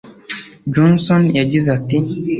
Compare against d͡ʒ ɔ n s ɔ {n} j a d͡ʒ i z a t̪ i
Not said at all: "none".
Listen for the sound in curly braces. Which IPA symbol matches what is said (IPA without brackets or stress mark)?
n